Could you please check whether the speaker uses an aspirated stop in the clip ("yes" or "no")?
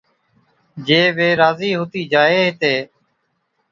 no